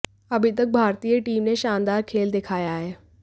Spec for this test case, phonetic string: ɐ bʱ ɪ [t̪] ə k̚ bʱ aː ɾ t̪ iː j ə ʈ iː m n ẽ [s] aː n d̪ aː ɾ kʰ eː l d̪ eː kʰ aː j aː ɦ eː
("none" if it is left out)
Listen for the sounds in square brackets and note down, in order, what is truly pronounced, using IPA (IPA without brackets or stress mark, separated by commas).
t̪, ʃ